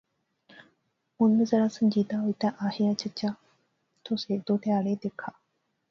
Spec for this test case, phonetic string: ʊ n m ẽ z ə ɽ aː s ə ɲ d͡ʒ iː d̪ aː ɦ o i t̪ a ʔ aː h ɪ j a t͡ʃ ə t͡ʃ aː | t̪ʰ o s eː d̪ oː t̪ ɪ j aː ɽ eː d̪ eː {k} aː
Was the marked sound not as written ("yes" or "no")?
yes